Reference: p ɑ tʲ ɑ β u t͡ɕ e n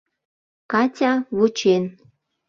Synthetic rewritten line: k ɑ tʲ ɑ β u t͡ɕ e n